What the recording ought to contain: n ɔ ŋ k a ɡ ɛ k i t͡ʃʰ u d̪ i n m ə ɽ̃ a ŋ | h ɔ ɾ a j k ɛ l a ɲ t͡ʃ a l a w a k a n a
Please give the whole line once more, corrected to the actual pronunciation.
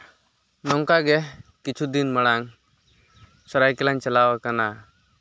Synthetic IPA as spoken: n ɔ ŋ k a ɡ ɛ k i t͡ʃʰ u d̪ i n m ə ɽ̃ a ŋ | s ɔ ɾ a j k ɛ l a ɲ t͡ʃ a l a w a k a n a